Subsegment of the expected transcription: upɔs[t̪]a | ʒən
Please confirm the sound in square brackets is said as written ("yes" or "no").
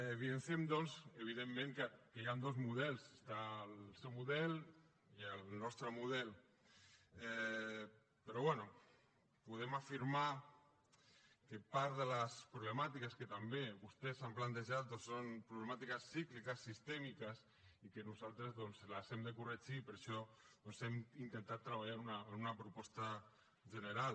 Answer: yes